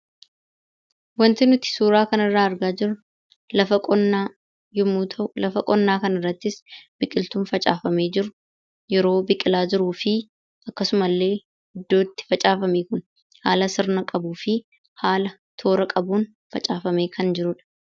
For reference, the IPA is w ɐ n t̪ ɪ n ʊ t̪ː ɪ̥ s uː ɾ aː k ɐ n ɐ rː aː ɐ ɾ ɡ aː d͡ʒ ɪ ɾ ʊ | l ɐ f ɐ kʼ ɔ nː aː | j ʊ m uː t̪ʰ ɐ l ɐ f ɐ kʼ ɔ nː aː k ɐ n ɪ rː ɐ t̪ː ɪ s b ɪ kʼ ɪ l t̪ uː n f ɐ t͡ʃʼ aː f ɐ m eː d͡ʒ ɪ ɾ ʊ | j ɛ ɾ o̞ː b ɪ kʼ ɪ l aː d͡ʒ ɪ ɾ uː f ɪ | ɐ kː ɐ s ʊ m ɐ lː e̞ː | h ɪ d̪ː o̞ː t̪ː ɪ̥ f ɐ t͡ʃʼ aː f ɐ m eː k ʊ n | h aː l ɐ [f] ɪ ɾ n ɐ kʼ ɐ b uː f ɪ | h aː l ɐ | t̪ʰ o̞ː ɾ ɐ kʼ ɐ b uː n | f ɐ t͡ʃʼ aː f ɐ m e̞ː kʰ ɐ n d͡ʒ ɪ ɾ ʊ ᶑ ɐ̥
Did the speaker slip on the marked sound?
yes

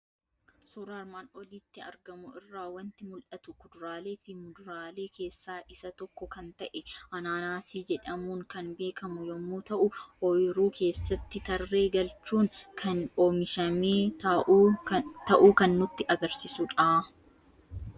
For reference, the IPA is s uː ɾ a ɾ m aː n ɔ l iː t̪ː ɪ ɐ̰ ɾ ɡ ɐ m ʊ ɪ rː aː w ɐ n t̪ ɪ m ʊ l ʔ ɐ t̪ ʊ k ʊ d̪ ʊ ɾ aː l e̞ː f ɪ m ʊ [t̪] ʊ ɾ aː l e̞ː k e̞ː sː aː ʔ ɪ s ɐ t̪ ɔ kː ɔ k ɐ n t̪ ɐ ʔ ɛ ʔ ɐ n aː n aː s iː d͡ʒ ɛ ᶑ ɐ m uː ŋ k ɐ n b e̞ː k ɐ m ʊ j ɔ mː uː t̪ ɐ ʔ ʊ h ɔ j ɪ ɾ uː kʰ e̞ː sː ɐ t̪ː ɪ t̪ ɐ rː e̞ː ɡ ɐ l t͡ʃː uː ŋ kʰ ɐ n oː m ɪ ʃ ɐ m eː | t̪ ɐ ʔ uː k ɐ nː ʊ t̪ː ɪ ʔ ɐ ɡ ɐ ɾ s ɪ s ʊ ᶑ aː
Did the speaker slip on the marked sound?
yes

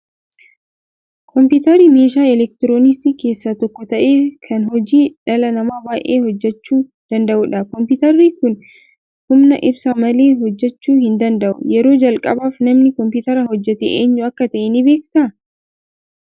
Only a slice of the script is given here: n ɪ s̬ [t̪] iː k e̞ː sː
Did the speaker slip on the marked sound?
no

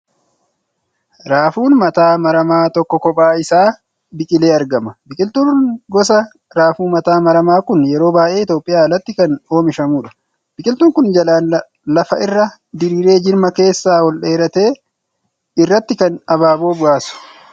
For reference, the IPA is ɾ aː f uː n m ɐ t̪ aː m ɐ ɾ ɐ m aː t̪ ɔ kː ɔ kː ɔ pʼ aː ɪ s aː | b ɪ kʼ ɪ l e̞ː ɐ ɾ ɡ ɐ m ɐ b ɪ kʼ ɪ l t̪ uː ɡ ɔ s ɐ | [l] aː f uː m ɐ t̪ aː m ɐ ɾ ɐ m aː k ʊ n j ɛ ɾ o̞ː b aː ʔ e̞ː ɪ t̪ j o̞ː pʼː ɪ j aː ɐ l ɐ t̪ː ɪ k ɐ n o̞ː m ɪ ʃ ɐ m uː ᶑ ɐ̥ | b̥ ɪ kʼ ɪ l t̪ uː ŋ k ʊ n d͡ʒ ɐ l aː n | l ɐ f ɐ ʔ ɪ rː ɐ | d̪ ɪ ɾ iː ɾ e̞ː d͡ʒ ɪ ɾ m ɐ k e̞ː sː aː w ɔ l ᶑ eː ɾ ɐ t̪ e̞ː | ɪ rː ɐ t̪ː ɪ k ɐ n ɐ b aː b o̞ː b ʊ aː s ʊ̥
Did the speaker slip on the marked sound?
yes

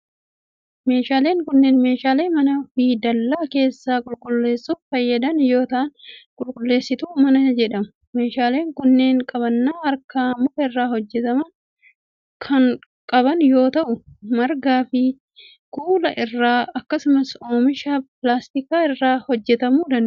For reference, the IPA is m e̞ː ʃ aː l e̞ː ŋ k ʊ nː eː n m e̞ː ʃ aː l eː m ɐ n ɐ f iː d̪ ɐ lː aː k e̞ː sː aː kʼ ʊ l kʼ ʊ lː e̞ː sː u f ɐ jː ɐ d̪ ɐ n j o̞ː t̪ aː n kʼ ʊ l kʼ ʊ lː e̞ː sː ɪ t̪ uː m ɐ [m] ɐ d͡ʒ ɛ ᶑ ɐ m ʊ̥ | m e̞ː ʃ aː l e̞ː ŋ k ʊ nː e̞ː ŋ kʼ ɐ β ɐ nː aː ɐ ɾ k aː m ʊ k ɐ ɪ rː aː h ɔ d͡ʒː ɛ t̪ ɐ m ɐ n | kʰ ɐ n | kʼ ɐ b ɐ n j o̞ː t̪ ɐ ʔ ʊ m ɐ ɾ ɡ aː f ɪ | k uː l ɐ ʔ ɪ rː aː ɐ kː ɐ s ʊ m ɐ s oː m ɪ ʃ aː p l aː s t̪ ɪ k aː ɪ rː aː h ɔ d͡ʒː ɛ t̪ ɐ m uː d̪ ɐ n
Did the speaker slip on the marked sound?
yes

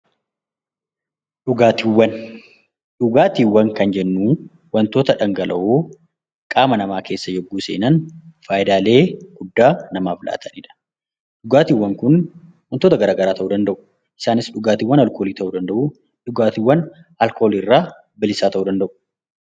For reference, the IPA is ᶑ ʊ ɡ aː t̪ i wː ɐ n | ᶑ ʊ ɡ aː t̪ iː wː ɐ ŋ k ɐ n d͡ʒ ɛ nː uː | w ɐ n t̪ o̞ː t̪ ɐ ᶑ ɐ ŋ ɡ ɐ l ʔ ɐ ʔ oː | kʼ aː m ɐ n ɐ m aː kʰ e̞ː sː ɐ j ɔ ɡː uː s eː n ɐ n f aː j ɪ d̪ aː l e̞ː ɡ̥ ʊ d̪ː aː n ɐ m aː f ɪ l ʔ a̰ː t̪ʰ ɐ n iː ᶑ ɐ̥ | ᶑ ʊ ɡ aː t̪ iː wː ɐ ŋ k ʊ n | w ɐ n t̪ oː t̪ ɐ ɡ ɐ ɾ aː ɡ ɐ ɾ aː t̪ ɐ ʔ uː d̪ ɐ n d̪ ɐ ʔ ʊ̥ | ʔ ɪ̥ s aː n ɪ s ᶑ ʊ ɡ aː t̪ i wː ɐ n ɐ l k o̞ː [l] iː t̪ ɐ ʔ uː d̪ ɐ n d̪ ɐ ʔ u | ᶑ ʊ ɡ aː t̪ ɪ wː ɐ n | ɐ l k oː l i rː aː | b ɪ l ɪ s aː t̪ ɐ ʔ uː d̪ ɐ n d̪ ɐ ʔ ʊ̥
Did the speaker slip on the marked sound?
no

